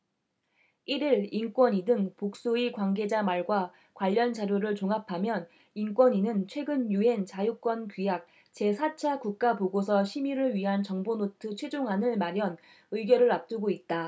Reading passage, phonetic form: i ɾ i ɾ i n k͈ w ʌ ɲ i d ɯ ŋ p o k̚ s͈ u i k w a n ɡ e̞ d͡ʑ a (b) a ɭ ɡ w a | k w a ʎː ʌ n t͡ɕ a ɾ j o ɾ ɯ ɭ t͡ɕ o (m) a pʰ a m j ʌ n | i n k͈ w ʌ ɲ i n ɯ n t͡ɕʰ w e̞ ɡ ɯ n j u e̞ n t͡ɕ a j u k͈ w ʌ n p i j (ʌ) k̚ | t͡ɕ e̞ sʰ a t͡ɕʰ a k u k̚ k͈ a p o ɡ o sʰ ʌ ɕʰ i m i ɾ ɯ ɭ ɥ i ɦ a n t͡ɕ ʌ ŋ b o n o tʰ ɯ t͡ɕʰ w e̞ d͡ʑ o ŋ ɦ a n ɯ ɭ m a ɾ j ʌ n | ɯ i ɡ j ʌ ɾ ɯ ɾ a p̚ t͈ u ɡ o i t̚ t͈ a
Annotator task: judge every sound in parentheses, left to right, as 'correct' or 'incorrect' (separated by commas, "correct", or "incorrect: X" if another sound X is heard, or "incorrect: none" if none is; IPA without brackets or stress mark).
incorrect: m, incorrect: ŋ, incorrect: a